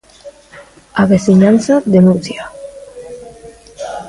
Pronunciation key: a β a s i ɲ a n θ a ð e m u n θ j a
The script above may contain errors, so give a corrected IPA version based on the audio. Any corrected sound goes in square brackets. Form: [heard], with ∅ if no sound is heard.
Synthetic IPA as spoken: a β [e] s i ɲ a n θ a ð e [n] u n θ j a